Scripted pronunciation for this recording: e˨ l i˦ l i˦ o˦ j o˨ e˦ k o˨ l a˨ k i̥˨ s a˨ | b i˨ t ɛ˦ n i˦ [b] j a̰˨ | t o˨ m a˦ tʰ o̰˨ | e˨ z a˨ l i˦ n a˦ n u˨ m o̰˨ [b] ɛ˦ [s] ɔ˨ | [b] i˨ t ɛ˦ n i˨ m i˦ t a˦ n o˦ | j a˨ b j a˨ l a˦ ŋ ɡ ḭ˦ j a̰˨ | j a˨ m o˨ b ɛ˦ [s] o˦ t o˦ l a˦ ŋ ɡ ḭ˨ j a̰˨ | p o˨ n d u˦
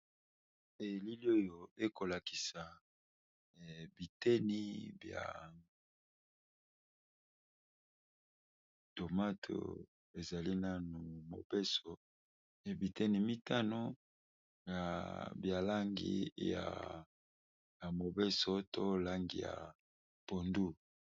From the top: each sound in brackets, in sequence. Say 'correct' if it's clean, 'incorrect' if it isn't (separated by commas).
correct, correct, correct, correct, correct